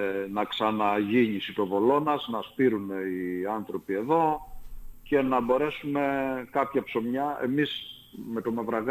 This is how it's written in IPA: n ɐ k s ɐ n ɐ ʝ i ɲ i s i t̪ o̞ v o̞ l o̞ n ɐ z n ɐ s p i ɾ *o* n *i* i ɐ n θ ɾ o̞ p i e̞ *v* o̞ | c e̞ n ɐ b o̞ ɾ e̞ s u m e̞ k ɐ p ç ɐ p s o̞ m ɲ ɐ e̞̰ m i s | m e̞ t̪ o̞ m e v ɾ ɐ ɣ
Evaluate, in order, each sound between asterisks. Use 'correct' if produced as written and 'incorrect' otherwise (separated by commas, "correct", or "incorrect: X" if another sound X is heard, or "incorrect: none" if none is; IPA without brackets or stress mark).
incorrect: u, incorrect: e, incorrect: ð